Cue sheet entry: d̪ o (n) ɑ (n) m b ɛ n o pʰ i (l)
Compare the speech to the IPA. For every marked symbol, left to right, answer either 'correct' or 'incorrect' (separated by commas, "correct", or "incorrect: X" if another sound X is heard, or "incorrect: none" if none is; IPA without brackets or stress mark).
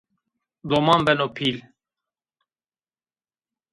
incorrect: m, incorrect: none, correct